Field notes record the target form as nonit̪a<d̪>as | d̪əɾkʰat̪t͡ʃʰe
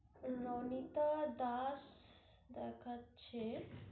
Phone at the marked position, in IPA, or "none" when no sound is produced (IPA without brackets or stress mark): d̪